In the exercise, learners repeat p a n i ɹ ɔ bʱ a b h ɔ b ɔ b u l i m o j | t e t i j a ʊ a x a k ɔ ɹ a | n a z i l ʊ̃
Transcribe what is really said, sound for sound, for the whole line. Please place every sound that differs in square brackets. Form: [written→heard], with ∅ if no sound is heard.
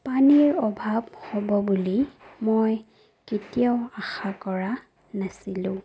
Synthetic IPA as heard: p a n i ɹ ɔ bʱ a b h ɔ b ɔ b u l i m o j | [t→k] e t i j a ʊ a x a k ɔ ɹ a | n a [z→s] i l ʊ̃

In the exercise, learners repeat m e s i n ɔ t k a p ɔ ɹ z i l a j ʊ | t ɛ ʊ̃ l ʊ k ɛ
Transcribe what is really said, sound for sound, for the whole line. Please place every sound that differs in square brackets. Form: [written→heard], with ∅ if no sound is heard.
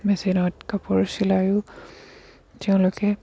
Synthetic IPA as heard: m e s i n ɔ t k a p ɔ ɹ [z→s] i l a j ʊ | t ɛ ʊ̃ l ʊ k ɛ

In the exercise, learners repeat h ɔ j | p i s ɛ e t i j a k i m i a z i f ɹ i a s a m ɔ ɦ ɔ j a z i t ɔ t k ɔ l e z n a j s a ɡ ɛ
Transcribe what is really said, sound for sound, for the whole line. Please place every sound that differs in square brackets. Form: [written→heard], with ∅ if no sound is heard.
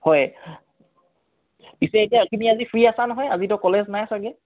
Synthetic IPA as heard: h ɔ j | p i s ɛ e t i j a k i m i a z i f ɹ i a s a [m→n] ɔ ɦ ɔ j a z i t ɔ [t→∅] k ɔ l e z n a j s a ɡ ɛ

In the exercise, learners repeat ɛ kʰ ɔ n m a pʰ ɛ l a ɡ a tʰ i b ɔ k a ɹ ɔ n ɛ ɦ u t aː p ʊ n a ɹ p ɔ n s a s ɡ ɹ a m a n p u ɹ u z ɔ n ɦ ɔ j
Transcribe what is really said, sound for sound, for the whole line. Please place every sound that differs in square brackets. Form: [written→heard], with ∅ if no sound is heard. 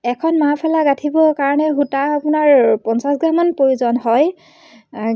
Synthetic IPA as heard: ɛ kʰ ɔ n m a pʰ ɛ l a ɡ a tʰ i b ɔ k a ɹ ɔ n ɛ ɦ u t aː p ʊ n a ɹ p ɔ n s a s ɡ ɹ a m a n p [u→o] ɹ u z ɔ n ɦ ɔ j

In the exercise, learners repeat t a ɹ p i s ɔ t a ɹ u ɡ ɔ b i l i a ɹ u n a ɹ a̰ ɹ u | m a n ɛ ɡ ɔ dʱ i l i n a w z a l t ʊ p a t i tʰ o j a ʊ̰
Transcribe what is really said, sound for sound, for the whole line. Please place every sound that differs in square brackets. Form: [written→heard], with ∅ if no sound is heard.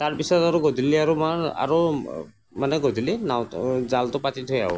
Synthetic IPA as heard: t a ɹ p i s ɔ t a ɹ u ɡ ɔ [b→d] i l i a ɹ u [n→m] a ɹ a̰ ɹ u | m a n ɛ ɡ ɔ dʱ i l i n a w z a l t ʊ p a t i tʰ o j a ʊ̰

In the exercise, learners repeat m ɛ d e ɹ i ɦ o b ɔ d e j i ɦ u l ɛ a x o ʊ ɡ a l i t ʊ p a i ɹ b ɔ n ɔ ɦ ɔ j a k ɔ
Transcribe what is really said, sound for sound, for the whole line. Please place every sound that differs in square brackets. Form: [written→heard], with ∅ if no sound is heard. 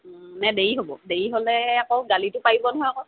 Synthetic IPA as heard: [m→n] ɛ d e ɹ i ɦ o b ɔ d e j i ɦ [u→o] l ɛ a [x→k] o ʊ ɡ a l i t ʊ p a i [ɹ→∅] b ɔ n ɔ ɦ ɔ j a k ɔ

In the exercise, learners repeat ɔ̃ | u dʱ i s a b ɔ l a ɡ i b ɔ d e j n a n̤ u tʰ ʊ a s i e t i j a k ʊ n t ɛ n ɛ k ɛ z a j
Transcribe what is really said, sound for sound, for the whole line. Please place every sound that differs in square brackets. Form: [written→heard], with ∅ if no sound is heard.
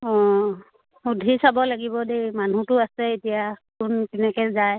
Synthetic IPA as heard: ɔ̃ | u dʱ i s a b ɔ l a ɡ i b ɔ d e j [n→m] a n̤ u [tʰ→t] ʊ a s [i→ɛ] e t i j a k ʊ n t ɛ n ɛ k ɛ z a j

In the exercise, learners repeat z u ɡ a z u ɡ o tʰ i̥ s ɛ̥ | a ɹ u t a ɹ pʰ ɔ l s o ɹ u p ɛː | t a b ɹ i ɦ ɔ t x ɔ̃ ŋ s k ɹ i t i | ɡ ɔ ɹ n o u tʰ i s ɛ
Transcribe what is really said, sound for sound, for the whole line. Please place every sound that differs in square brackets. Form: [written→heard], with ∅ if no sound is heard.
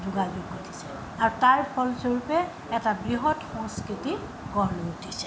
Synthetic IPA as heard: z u ɡ a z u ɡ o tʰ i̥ s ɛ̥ | a ɹ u t a ɹ pʰ ɔ l s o ɹ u p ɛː | t a b ɹ i ɦ ɔ t x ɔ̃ ŋ s k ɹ i t i | ɡ ɔ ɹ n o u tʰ i s ɛ

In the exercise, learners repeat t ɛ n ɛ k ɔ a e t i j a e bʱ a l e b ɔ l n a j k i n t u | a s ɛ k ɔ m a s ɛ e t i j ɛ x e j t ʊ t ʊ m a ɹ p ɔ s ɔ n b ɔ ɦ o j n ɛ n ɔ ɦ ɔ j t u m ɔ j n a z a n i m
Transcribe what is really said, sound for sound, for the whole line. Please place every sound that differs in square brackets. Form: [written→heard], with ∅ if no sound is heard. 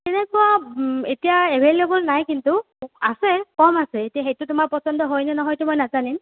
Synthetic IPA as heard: t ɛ n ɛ k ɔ a e t i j a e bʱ [a→e] l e b ɔ l n a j k i n t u | a s ɛ k ɔ m a s ɛ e t i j [ɛ→a] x e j t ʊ t ʊ m a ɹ p ɔ s ɔ n [b→d] ɔ ɦ o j n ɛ n ɔ ɦ ɔ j t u m ɔ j n a z a n i m

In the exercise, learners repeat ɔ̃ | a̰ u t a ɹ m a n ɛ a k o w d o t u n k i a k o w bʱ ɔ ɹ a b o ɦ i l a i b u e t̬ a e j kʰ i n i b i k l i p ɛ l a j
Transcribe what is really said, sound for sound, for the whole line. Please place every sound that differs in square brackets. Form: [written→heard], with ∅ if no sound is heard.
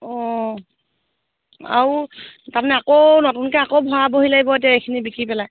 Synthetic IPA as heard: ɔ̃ | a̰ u t a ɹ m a n ɛ a k o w [d→n] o t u n k [i→ɛ] a k o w bʱ ɔ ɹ a b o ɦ i l a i b [u→ɔ] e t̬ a e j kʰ i n i b i k [l→ɹ] i p ɛ l a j

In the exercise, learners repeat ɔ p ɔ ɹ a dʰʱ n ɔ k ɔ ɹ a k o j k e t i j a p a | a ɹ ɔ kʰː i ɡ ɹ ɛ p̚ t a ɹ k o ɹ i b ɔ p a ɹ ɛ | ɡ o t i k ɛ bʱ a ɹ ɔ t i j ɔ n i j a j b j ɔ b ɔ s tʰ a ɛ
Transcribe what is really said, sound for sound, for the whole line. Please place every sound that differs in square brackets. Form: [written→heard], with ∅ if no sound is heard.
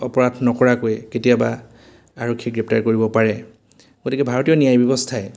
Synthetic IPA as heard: ɔ p ɔ ɹ a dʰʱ n ɔ k ɔ ɹ a k o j k e t i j a [p→b] a | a ɹ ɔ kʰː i ɡ ɹ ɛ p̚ t a ɹ k o ɹ i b ɔ p a ɹ ɛ | ɡ o t i k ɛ bʱ a ɹ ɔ t i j ɔ n i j a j b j ɔ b ɔ s tʰ a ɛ

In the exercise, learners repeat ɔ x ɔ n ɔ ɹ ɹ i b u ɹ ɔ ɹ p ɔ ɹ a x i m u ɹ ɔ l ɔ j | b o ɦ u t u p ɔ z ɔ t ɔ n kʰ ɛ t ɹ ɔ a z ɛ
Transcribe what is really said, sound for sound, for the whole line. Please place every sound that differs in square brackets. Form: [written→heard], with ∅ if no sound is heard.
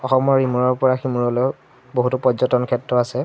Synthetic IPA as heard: ɔ x ɔ [n→m] ɔ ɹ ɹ i [b→m] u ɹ ɔ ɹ p ɔ ɹ a x i m u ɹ ɔ l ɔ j | b o ɦ u t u p ɔ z ɔ t ɔ n kʰ ɛ t ɹ ɔ a [z→s] ɛ

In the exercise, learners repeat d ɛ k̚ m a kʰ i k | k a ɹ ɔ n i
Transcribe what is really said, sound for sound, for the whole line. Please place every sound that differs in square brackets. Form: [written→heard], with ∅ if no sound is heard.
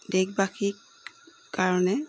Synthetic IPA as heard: d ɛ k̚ [m→b] a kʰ i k | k a ɹ ɔ n [i→ɛ]

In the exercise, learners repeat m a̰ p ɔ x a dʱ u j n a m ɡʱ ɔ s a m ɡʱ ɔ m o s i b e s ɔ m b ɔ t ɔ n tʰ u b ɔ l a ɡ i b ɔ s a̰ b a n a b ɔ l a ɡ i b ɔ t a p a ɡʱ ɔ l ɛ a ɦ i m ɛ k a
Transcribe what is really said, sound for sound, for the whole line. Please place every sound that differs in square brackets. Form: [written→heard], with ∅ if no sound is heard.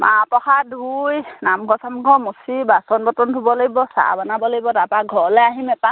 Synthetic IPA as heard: m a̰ p ɔ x a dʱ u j n a m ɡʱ ɔ s a m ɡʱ ɔ m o s i b [e→a] s ɔ [m→n] b ɔ t ɔ n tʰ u b ɔ l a ɡ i b ɔ s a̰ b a n a b ɔ l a ɡ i b ɔ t a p a ɡʱ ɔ l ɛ a ɦ i m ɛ [k→p] a

